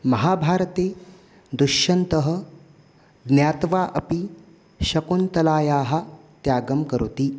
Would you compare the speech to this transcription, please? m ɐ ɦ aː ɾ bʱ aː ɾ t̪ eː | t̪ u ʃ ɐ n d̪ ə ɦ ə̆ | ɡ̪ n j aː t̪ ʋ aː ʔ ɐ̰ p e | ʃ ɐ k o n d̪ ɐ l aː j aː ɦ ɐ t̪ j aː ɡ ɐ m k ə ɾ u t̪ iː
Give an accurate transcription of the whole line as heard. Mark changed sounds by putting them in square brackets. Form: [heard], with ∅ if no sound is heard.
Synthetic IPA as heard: m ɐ ɦ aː [∅] bʱ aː ɾ t̪ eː | [d̪] u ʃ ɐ n [t̪] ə ɦ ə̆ | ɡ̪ n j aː t̪ ʋ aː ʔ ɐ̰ p [i] | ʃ ɐ k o n [t̪] ɐ l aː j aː ɦ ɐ t̪ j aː ɡ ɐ m k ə ɾ u t̪ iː